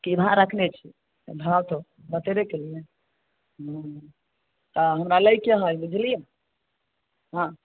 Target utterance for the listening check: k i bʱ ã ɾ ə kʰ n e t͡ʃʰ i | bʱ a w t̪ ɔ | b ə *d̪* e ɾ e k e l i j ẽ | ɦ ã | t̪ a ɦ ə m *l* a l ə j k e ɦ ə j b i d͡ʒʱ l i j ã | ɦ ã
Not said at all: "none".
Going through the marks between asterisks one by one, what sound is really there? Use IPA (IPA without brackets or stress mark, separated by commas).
t̪, ɾ